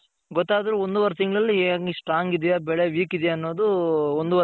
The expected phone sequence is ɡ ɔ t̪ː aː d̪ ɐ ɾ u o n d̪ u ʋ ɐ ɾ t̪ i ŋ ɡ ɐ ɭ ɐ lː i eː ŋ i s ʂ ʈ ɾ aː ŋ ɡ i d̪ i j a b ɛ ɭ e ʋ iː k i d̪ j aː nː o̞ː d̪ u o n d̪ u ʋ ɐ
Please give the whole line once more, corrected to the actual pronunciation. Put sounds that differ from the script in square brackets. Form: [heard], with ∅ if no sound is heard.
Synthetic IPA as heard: ɡ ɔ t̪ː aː d̪ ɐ ɾ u o n d̪ u ʋ ɐ ɾ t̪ i ŋ ɡ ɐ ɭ ɐ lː i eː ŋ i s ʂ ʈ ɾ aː ŋ ɡ i d̪ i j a b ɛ ɭ e ʋ iː k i d̪ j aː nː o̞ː d̪ u o n d̪ u ʋ ɐ